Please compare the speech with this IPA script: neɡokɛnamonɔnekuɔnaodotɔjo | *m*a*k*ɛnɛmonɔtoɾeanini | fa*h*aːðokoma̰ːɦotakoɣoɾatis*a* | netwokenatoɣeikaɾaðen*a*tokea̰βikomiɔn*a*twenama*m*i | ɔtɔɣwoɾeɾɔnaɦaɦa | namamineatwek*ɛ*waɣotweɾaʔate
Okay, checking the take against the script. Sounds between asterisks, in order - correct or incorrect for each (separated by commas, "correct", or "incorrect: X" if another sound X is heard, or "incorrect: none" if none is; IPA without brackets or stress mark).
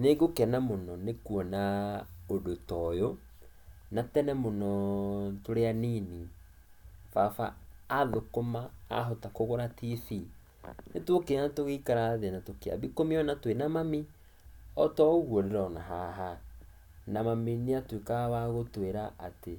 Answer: incorrect: n, incorrect: t, incorrect: f, incorrect: i, correct, correct, correct, incorrect: a